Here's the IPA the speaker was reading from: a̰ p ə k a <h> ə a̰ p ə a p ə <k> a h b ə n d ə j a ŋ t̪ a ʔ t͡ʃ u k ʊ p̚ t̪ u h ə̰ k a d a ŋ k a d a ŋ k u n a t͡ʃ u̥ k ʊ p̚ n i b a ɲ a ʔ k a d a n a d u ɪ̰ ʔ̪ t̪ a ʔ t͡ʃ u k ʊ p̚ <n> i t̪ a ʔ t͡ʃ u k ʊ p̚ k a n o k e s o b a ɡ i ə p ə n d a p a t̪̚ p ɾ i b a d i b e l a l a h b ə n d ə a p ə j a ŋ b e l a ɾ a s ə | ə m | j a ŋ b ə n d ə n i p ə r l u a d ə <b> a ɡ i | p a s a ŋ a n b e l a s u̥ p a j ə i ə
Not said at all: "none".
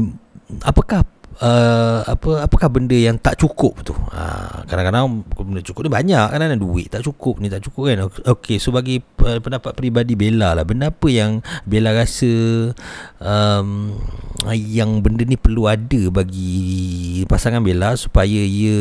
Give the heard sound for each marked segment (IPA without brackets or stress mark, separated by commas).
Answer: h, k, n, b